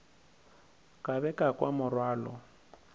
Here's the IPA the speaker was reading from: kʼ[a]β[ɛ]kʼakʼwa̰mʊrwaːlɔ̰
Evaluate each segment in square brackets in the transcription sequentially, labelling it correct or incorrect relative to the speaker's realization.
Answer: correct, correct

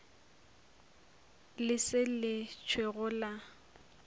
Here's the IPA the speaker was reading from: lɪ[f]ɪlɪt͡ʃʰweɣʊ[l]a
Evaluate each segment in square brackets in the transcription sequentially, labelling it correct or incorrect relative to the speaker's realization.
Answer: incorrect: s, correct

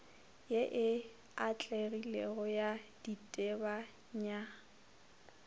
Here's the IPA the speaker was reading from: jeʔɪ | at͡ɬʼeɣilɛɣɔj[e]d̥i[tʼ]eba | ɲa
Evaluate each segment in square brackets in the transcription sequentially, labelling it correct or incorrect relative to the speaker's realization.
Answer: incorrect: a, correct

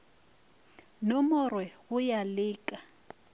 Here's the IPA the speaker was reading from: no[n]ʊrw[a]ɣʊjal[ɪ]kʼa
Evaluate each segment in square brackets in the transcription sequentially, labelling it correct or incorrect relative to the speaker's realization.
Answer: incorrect: m, incorrect: ɛ, incorrect: ɪː

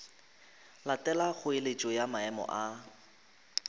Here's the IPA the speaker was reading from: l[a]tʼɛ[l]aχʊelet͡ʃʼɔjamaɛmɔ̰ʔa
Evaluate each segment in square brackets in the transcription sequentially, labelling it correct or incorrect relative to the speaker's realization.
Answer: correct, correct

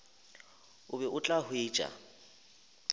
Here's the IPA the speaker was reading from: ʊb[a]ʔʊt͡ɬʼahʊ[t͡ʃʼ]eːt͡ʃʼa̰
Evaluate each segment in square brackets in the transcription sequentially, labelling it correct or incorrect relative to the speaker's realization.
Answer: incorrect: ɛ, incorrect: none

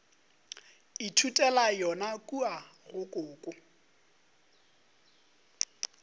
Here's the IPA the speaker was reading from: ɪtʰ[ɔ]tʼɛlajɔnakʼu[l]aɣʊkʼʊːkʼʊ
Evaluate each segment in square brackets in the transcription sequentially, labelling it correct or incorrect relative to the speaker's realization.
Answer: incorrect: u, incorrect: none

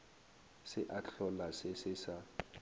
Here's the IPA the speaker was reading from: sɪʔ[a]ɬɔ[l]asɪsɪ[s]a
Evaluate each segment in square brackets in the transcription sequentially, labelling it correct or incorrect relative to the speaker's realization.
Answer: correct, correct, correct

